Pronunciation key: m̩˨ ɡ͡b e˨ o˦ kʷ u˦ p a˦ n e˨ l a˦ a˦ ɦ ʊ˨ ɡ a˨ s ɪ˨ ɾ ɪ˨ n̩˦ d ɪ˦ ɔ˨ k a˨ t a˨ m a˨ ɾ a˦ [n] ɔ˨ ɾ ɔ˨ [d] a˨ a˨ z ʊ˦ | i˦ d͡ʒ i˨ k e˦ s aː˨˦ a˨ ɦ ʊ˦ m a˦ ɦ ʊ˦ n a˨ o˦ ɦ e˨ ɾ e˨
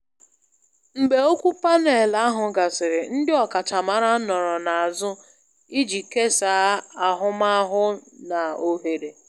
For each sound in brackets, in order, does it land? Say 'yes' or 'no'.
yes, no

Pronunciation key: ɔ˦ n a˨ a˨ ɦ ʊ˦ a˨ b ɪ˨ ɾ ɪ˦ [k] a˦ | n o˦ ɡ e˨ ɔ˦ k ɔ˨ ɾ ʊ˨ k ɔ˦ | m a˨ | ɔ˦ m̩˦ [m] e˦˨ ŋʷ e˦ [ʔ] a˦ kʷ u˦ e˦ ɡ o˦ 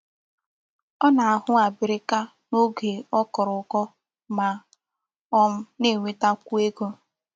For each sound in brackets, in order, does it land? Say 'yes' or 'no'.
yes, no, no

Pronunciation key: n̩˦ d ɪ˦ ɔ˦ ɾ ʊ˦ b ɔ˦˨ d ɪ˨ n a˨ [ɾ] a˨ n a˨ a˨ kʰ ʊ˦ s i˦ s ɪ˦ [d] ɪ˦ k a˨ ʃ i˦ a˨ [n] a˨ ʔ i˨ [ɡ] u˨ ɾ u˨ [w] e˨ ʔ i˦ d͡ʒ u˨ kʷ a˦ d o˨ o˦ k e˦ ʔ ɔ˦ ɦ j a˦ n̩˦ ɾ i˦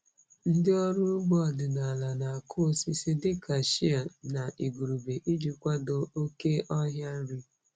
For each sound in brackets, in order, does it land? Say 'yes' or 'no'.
no, yes, yes, yes, no

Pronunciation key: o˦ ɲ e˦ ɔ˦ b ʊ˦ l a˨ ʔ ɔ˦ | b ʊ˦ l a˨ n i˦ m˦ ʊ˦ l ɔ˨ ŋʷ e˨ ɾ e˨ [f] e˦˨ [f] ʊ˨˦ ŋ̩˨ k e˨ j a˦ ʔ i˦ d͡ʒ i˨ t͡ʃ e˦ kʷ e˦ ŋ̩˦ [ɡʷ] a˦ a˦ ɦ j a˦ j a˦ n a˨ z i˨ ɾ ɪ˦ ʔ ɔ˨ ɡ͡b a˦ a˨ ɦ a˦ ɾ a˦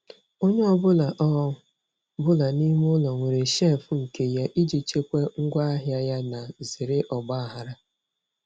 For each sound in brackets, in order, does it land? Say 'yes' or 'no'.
no, yes, yes

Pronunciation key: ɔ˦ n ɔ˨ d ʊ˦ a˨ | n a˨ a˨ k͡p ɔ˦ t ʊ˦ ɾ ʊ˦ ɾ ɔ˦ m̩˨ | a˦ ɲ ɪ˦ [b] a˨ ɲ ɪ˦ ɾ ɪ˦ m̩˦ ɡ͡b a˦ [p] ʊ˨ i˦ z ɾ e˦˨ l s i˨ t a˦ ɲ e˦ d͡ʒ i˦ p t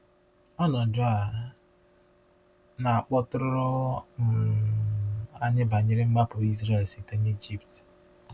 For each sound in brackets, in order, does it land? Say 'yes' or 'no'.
yes, yes

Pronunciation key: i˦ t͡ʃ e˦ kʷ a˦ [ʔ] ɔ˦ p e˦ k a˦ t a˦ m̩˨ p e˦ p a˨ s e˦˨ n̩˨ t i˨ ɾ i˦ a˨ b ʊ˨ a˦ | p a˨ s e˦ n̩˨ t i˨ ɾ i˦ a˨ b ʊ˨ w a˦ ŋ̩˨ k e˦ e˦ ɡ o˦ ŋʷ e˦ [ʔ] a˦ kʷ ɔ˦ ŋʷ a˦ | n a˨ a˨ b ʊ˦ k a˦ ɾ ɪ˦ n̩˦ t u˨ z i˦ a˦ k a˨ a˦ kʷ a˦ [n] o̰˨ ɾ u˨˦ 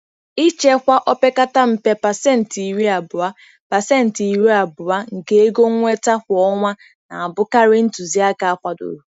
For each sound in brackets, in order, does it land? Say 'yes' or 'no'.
yes, no, no

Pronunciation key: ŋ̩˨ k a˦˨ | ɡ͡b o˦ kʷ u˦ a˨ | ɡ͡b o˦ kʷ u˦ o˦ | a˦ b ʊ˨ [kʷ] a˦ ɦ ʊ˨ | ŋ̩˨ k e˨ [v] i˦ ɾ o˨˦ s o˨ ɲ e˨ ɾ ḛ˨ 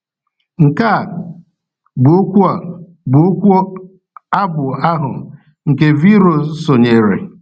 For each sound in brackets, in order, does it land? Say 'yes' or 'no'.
no, yes

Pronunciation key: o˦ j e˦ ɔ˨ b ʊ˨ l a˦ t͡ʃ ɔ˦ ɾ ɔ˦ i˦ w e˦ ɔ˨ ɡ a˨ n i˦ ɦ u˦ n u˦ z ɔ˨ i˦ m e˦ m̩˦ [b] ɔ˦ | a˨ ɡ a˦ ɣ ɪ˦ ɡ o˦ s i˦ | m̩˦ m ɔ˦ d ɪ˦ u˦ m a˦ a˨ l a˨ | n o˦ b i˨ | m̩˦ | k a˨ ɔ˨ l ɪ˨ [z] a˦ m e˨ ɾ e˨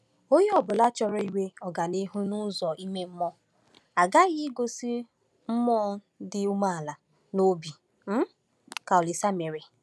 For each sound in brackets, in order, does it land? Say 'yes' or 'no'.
no, no

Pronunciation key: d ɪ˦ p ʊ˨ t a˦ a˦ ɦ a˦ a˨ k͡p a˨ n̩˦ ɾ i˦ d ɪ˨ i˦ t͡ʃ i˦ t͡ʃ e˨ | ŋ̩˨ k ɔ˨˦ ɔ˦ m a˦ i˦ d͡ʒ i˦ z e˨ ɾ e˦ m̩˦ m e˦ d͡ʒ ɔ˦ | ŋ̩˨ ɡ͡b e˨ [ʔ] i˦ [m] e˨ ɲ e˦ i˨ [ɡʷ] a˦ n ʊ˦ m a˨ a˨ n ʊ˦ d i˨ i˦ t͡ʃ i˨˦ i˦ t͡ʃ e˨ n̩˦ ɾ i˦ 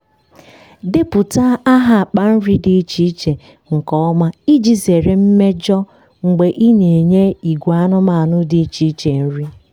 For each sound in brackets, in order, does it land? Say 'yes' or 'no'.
yes, no, yes

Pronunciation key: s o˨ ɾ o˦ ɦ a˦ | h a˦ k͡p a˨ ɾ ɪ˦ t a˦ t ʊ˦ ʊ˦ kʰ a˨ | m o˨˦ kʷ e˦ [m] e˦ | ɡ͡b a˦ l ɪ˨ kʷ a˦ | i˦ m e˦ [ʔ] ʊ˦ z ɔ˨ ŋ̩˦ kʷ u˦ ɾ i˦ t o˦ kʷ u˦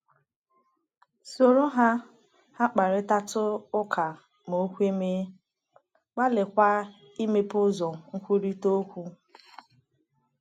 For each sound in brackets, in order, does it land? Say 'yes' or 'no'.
yes, no

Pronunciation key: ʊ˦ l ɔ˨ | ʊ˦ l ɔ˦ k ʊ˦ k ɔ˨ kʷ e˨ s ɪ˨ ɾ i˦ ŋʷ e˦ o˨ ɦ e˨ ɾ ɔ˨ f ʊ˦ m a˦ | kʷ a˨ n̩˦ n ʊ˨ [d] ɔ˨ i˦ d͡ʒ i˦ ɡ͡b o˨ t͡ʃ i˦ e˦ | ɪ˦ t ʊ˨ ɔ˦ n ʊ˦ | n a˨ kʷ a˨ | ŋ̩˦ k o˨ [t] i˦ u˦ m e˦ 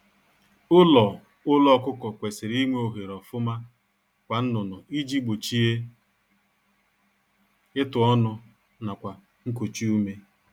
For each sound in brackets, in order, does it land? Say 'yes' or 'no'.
no, no

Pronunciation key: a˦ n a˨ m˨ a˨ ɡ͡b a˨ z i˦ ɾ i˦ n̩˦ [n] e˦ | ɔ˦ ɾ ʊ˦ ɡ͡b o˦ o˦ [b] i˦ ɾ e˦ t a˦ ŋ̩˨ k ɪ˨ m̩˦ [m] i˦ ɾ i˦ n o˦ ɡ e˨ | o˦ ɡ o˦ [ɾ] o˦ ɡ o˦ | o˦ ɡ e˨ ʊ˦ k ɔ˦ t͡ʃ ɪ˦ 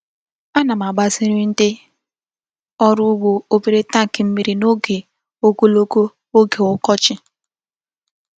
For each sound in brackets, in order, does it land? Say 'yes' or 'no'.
no, yes, yes, no

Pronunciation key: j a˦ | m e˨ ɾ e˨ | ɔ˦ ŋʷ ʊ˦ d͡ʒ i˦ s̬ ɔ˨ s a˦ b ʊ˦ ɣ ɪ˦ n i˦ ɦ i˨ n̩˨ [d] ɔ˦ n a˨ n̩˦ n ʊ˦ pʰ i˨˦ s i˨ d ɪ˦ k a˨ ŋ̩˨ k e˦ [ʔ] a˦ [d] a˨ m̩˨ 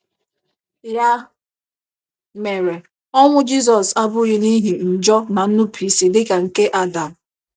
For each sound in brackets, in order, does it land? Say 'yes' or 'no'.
no, yes, yes

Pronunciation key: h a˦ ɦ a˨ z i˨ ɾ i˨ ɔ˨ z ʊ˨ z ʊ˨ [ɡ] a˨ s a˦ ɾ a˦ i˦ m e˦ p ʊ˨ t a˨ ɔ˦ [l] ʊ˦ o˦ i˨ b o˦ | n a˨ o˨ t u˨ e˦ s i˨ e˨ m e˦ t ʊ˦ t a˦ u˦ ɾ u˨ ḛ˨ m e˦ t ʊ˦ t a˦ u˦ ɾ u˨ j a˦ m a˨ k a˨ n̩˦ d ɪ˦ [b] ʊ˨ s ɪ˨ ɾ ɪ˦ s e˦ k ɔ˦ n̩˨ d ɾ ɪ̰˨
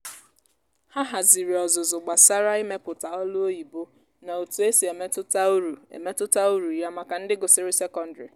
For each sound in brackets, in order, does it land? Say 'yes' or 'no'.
no, yes, no

